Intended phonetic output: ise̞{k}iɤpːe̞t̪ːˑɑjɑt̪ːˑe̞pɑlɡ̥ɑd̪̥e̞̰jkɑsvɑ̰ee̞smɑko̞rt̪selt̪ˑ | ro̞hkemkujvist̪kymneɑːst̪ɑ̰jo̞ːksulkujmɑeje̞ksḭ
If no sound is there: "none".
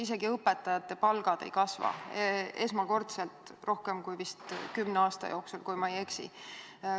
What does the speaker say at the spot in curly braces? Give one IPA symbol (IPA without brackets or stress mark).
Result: ɡ